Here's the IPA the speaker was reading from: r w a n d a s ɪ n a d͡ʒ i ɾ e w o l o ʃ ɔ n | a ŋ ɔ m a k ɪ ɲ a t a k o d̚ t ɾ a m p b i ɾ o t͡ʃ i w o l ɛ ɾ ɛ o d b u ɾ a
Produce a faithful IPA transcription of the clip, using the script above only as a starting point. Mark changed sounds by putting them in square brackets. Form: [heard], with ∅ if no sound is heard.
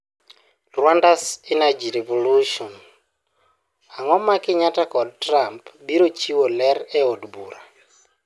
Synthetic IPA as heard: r w a n d a s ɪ n a d͡ʒ i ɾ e [v] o l [u] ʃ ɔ n | a ŋ ɔ m a k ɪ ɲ a t a k [ɔ] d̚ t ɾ a m p b i ɾ o t͡ʃ i w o l ɛ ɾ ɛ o d b u ɾ a

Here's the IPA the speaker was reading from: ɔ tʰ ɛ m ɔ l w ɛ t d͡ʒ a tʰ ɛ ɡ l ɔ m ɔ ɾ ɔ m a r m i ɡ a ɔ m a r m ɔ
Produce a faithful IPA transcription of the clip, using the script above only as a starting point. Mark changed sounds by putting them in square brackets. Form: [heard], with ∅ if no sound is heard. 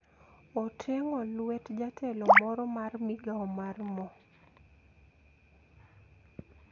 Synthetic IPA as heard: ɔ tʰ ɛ [ŋ] ɔ l w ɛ t d͡ʒ a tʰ ɛ [∅] l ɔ m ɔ ɾ ɔ m a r m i ɡ a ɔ m a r m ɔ

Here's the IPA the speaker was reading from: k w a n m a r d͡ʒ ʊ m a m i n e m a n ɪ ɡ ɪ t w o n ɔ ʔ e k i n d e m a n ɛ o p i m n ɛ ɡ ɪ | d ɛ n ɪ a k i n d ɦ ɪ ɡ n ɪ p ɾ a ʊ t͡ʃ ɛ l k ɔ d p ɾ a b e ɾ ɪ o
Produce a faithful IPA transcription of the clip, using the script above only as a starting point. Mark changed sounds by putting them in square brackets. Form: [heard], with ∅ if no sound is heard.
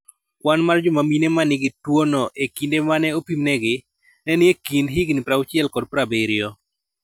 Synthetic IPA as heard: k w a n m a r d͡ʒ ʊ m a m i n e m a n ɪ ɡ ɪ t w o n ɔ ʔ e k i n d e m a n ɛ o p i m n ɛ ɡ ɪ | [n] ɛ n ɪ [e] k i n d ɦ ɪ ɡ n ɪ p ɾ a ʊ t͡ʃ ɛ l k ɔ d p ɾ a b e ɾ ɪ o

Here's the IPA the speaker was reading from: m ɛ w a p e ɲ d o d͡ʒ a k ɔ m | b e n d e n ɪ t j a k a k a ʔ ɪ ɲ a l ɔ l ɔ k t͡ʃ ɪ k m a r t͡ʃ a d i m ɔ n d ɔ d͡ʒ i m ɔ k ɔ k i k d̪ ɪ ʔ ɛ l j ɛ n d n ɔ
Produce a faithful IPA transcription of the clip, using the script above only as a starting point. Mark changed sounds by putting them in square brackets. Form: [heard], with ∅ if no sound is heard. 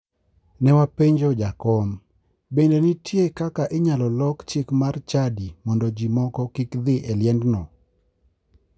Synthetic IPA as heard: [n] ɛ w a p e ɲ [d͡ʒ] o d͡ʒ a k ɔ m | b e n d e n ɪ t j [e] k a k a ʔ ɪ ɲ a l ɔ l ɔ k t͡ʃ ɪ k m a r t͡ʃ a d i m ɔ n d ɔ d͡ʒ i m ɔ k ɔ k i k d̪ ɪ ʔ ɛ l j ɛ n d n ɔ

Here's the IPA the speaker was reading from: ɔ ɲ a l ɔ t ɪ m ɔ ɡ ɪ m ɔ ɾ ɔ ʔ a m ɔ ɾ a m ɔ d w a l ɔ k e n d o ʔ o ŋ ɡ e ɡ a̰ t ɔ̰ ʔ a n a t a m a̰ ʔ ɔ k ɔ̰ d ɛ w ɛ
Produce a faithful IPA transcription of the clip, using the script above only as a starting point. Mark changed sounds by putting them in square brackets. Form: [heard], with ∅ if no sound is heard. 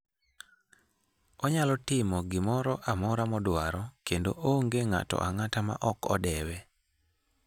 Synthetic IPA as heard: ɔ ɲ a l ɔ t ɪ m ɔ ɡ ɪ m ɔ ɾ ɔ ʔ a m ɔ ɾ a m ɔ d w a [ɾ] ɔ k e n d o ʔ o ŋ ɡ e [ŋ] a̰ t ɔ̰ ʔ a [ŋ] a t a m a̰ ʔ ɔ k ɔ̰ d ɛ w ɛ

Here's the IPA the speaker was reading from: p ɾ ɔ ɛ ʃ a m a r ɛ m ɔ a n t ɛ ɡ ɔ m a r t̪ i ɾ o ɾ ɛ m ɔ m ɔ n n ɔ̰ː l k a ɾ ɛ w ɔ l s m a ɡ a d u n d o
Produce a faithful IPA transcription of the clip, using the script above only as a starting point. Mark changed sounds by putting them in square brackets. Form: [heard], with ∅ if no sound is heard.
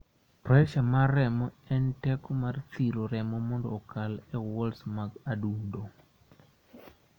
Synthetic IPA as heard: p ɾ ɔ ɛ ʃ a m a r ɛ m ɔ [ɛ] n t ɛ [k] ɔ m a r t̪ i ɾ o ɾ ɛ m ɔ m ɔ n [d] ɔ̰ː [∅] k a [l] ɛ w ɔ l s m a ɡ a d u n d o

